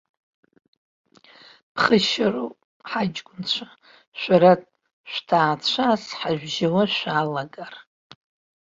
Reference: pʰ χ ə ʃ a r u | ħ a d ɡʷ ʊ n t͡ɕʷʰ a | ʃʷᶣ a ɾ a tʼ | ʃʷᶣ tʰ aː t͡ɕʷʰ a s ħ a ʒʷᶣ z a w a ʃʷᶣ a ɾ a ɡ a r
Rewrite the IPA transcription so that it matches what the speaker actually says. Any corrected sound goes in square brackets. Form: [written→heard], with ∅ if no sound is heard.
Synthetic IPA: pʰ χ ə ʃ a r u | ħ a [d→d͡ʒ] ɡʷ ʊ n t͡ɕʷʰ a | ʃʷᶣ a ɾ a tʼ | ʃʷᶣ tʰ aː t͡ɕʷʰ a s ħ a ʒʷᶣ [z→ʒ] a w a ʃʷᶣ a [ɾ→l] a ɡ a r